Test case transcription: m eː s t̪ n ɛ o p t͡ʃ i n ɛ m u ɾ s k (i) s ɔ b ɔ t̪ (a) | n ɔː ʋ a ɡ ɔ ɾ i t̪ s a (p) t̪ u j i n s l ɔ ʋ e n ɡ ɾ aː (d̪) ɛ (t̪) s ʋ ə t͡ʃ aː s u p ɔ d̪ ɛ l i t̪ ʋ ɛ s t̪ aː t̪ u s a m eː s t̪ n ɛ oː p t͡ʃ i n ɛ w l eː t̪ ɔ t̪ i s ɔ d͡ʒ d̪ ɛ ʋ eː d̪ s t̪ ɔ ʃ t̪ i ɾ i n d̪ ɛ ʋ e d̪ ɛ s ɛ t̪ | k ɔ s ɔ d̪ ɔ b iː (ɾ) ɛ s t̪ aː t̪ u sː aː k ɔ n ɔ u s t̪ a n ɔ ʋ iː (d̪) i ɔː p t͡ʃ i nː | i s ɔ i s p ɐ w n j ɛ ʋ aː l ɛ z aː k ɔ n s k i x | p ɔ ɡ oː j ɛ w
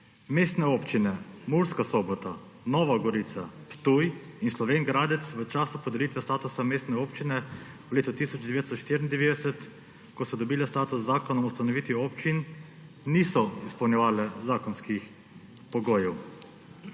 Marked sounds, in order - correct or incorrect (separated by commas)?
incorrect, correct, correct, correct, correct, incorrect, incorrect